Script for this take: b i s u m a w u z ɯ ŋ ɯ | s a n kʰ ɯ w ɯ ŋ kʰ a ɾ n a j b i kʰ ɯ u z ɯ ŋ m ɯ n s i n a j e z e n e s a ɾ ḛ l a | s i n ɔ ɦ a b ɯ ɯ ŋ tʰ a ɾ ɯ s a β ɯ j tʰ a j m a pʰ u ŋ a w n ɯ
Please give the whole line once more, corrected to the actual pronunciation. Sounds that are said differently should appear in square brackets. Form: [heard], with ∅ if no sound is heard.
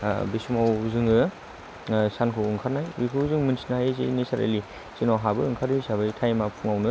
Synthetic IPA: b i s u m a w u z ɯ ŋ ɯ | s a n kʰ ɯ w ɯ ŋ kʰ a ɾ n a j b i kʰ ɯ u z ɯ ŋ m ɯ n s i n a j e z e n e s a ɾ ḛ l [i] | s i n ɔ ɦ a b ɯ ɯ ŋ [kʰ] a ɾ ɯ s a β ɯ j tʰ a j m a pʰ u ŋ a w n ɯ

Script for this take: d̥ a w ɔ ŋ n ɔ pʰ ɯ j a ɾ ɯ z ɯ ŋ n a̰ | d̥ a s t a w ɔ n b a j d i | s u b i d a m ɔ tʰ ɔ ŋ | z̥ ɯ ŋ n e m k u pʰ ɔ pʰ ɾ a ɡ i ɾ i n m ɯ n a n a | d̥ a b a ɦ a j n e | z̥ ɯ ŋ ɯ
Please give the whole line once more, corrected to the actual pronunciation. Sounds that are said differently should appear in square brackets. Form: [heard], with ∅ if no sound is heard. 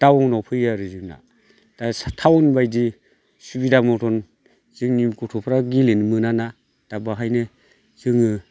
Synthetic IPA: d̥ a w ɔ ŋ n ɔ pʰ ɯ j a ɾ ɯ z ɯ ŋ n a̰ | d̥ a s [tʰ] a w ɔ n b a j d i | s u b i d a m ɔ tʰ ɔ [n] | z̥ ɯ ŋ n [i] m k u [tʰ] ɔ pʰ ɾ a ɡ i [l] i n m ɯ n a n a | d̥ a b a ɦ a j n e | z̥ ɯ ŋ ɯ

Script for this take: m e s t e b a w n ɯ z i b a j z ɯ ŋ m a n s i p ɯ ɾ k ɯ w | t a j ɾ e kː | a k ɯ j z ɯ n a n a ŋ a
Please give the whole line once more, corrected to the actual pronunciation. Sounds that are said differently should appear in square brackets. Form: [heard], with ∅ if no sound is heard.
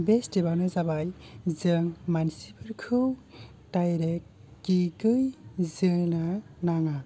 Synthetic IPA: [b] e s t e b a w n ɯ z [a] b a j z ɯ ŋ m a n s i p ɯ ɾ [kʰ] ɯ w | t a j ɾ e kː | [i] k ɯ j z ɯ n a n a ŋ a

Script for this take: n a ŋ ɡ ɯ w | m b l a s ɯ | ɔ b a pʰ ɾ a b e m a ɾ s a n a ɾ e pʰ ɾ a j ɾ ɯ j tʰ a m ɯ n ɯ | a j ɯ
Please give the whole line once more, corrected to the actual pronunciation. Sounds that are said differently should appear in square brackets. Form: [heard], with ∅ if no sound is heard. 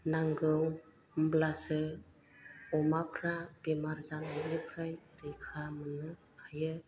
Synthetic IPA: n a ŋ ɡ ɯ w | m b l a s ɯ | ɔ [m] a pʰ ɾ a b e m a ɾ [z] a n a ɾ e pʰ ɾ a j ɾ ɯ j [kʰ] a m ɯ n ɯ | a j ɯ

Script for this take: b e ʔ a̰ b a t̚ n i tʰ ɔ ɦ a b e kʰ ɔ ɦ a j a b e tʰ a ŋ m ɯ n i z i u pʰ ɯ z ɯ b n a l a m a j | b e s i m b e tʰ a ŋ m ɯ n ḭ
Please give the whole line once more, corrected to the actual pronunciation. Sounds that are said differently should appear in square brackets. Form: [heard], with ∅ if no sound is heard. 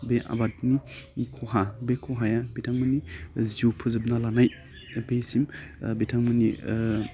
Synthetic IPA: b e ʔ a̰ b a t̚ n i [kʰ] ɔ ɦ a b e kʰ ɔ ɦ a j a b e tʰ a ŋ m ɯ n i z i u pʰ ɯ z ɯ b n a l a [n] a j | b e s i m b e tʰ a ŋ m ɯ n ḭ

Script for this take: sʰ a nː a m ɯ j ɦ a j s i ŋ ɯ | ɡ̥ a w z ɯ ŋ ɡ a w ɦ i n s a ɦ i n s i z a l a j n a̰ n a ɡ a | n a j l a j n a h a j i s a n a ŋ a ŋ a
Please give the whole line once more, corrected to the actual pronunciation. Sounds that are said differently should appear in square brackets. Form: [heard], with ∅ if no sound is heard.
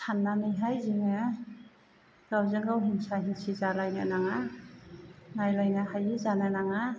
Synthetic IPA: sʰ a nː a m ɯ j ɦ a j [z] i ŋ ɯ | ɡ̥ a w z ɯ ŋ ɡ a w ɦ i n s a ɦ i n s i z a l a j n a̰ n a [ŋ] a | n a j l a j n a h a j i [z] a n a [n] a ŋ a

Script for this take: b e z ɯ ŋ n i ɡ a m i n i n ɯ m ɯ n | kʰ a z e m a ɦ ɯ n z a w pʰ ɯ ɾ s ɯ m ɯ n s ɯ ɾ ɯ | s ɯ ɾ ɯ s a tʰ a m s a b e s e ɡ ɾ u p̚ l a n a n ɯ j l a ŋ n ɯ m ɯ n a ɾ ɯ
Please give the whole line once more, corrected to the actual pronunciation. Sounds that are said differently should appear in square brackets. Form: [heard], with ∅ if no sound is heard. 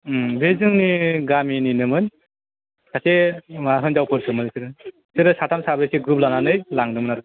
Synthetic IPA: b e z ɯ ŋ n i ɡ a m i n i n ɯ m ɯ n | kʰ a [s] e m a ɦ ɯ n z a w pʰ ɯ ɾ s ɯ m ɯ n s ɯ ɾ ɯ | s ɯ ɾ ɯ s a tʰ a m s a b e s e ɡ ɾ u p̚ l a n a n ɯ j l a ŋ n ɯ m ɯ n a ɾ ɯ

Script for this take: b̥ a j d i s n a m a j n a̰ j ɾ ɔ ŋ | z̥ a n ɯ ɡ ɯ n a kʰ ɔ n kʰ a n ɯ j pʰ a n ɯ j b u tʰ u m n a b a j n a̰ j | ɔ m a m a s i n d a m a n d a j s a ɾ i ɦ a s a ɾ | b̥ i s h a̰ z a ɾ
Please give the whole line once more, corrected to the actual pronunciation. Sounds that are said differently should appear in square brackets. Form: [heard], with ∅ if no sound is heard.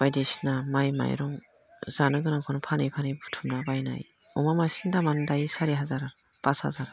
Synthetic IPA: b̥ a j d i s n a m a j [m] a̰ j ɾ ɔ ŋ | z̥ a n ɯ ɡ ɯ n a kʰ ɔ n [pʰ] a n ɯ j pʰ a n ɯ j b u tʰ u m n a b a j n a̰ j | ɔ m a m a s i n d a m a n d a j s a ɾ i ɦ a [z] a ɾ | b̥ [a] s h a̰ z a ɾ

